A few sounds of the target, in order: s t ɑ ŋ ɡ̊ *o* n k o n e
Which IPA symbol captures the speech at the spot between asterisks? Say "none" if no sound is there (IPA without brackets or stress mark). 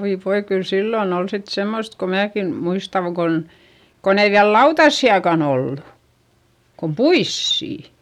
o